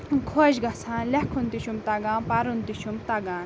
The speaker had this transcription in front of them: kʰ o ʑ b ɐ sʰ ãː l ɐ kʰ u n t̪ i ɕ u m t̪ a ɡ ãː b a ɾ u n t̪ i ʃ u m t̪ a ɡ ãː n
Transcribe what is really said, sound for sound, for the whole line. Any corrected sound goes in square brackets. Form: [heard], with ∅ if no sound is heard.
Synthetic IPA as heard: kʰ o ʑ [ɡ] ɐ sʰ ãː l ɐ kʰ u n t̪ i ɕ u m t̪ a ɡ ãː [p] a ɾ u n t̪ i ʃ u m t̪ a ɡ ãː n